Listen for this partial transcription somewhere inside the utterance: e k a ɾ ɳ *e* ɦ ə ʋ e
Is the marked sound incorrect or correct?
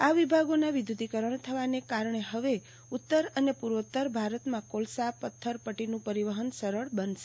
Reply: correct